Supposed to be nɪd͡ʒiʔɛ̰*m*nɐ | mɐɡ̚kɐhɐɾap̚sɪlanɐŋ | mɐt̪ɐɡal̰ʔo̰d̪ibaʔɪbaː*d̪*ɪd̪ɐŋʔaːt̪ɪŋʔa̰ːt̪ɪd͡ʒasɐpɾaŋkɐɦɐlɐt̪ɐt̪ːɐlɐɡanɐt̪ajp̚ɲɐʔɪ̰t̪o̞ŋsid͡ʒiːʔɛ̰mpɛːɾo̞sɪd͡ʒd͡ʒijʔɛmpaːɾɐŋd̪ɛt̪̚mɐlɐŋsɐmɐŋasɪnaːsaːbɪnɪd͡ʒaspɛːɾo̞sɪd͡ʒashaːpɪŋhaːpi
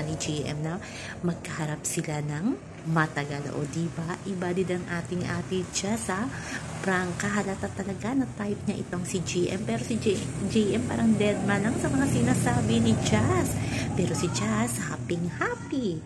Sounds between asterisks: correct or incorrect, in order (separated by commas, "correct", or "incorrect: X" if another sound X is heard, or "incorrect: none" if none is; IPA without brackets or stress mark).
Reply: correct, correct